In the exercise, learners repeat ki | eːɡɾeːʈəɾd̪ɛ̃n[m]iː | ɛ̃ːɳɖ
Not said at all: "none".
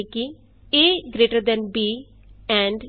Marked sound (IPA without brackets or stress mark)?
b